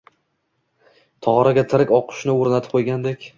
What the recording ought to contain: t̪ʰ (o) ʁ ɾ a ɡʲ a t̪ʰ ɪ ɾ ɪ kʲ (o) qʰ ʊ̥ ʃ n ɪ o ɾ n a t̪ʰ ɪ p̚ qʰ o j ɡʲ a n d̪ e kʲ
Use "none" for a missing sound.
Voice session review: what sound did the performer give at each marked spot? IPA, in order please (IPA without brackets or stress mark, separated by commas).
ɒ, ɒ